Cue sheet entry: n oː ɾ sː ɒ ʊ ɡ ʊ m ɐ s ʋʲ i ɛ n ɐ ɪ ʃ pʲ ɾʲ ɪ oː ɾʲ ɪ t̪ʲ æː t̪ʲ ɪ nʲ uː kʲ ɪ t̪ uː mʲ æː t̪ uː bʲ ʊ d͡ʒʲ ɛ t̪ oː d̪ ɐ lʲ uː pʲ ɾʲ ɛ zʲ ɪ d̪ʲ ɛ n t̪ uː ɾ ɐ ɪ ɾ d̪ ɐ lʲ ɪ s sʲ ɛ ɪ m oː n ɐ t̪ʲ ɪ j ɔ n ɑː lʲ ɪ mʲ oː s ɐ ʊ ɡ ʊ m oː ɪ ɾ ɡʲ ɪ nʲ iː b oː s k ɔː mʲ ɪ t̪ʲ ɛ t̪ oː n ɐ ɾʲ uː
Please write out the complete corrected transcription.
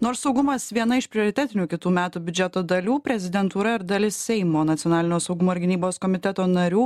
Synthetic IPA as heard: n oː ɾ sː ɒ ʊ ɡ ʊ m ɐ s ʋʲ i ɛ n ɐ ɪ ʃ pʲ ɾʲ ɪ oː ɾʲ ɪ t̪ʲ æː t̪ʲ ɪ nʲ uː kʲ ɪ t̪ uː mʲ æː t̪ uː bʲ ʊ d͡ʒʲ ɛ t̪ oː d̪ ɐ lʲ uː pʲ ɾʲ ɛ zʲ ɪ d̪ʲ ɛ n t̪ uː ɾ ɐ ɪ ɾ d̪ ɐ lʲ ɪ s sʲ ɛ ɪ m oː n ɐ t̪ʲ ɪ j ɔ n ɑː lʲ ɪ nʲ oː s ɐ ʊ ɡ ʊ m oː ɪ ɾ ɡʲ ɪ nʲ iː b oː s k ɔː mʲ ɪ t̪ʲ ɛ t̪ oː n ɐ ɾʲ uː